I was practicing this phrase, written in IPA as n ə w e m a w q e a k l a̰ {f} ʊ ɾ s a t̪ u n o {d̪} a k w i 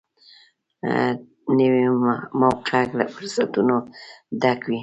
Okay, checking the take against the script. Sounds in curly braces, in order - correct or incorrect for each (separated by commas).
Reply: correct, correct